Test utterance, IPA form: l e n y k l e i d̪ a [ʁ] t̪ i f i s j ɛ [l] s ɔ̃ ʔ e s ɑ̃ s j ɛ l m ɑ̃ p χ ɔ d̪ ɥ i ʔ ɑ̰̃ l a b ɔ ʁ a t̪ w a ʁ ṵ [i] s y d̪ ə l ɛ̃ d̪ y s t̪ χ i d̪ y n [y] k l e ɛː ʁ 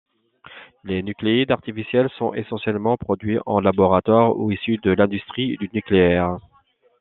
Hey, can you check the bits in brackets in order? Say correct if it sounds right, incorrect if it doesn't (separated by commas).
correct, correct, correct, correct